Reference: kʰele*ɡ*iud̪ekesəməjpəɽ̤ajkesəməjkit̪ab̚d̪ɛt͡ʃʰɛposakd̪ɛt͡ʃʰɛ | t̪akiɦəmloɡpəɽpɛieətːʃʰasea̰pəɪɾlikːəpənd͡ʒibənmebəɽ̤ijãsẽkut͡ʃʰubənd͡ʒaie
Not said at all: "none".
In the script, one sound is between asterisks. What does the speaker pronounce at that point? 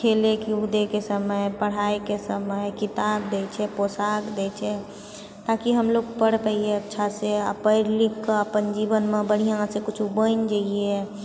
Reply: k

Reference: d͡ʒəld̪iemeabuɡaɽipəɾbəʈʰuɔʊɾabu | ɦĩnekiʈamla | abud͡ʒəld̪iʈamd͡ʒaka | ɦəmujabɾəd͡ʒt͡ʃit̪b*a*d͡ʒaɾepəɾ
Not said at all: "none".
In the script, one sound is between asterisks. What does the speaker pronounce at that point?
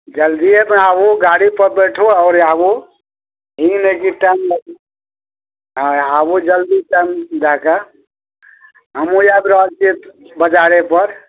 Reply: ə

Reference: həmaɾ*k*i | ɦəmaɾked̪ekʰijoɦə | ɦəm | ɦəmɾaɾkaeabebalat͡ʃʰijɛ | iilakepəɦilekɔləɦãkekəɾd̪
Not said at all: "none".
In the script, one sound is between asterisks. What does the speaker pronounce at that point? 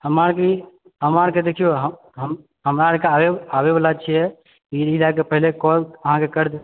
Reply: k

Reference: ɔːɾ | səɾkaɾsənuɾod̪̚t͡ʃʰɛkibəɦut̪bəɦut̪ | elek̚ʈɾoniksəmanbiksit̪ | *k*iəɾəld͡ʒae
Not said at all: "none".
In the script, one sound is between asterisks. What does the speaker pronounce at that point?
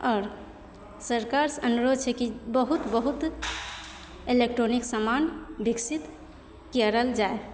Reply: k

